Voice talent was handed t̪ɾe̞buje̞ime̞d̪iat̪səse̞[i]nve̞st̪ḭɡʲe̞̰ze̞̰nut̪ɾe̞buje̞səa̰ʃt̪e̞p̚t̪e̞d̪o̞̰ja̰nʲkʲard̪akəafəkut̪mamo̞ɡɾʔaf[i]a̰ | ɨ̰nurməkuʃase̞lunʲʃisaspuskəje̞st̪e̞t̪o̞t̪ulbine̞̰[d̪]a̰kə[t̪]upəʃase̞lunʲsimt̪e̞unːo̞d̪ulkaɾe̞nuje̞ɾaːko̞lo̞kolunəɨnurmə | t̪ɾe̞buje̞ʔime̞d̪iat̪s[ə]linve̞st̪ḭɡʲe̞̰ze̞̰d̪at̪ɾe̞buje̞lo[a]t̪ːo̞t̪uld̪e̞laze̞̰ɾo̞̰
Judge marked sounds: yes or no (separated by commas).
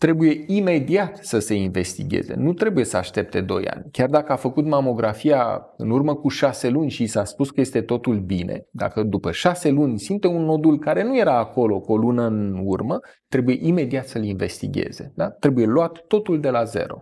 yes, yes, yes, no, yes, yes